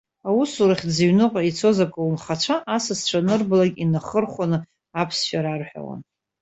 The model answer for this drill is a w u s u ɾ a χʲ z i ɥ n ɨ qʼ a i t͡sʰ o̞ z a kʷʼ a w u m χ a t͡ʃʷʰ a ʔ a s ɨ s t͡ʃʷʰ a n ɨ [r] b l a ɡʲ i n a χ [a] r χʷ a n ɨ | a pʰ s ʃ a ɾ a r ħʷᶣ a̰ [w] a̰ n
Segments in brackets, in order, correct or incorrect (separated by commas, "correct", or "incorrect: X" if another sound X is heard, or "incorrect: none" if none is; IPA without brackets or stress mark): correct, incorrect: ə, correct